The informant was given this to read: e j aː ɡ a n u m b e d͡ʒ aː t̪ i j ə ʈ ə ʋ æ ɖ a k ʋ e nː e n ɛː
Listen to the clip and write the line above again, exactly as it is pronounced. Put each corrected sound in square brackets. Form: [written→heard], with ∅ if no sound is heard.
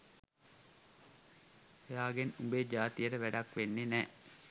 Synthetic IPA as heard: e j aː ɡ [a→e] n u m b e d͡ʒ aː t̪ i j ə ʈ ə ʋ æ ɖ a k ʋ e nː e n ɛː